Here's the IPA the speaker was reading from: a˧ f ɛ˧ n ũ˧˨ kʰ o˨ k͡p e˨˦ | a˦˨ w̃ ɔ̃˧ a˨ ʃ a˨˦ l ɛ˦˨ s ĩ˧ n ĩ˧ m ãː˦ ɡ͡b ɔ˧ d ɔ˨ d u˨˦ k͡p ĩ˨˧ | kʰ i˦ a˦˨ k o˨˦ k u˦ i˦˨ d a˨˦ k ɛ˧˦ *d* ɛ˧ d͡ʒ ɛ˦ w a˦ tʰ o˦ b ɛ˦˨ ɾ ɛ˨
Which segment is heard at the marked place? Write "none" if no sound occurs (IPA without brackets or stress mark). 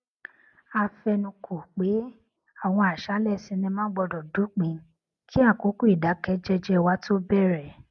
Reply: d͡ʒ